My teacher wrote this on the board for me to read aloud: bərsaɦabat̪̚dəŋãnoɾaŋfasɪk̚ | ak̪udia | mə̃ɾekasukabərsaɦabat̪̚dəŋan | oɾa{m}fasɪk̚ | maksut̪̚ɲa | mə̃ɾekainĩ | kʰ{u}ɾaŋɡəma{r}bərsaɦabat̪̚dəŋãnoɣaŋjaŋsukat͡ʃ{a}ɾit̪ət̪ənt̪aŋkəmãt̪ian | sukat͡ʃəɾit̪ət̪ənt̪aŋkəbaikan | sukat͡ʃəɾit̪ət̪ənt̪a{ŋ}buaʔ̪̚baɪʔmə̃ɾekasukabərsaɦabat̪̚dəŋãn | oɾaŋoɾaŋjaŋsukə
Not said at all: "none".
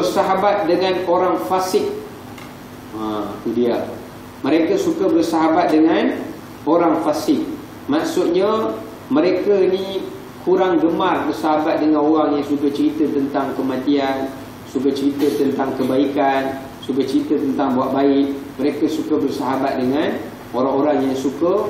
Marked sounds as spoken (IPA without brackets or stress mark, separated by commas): ŋ, u, r, ə, ŋ